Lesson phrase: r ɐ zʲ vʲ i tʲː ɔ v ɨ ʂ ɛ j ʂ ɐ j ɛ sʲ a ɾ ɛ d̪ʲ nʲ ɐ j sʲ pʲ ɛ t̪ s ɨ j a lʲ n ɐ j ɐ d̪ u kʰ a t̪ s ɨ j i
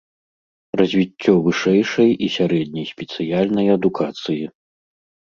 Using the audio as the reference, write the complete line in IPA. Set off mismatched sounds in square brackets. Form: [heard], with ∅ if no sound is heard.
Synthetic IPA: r ɐ zʲ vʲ i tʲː ɔ v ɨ ʂ ɛ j ʂ ɐ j [i] sʲ a ɾ ɛ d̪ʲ nʲ ɐ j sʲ pʲ ɛ t̪ s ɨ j a lʲ n ɐ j ɐ d̪ u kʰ a t̪ s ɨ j i